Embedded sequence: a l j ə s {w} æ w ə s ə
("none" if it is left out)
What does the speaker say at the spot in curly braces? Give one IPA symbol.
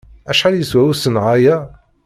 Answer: w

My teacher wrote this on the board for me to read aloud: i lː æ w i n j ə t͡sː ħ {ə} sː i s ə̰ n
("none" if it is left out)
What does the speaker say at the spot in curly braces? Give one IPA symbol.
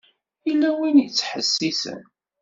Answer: ə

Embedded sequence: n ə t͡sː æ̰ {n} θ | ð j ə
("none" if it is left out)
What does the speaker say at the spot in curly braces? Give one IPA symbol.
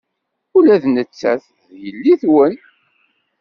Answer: none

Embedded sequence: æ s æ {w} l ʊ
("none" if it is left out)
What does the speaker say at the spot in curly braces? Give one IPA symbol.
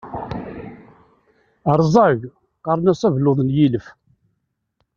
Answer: v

